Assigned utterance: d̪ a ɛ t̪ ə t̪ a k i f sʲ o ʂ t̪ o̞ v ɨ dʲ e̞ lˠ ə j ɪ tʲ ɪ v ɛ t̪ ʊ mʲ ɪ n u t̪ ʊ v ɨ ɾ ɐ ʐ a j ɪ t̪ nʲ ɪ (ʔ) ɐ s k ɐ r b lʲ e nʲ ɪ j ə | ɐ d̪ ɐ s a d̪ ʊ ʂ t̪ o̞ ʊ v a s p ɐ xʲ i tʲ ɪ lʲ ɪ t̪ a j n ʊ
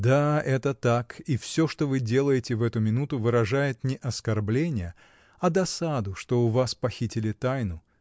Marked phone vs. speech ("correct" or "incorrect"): correct